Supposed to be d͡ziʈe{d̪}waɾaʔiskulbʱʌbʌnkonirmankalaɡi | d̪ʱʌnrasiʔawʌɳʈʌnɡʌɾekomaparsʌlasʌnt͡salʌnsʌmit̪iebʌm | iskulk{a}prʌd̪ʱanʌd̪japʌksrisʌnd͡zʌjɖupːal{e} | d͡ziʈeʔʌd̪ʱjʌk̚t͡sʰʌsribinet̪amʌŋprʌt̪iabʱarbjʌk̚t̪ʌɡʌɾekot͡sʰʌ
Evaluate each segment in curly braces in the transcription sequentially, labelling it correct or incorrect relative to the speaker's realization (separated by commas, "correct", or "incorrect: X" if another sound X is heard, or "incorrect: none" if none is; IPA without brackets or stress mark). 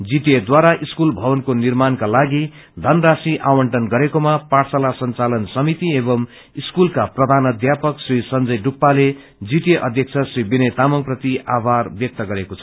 correct, correct, correct